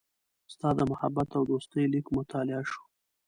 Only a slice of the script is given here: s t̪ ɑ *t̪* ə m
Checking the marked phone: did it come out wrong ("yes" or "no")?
yes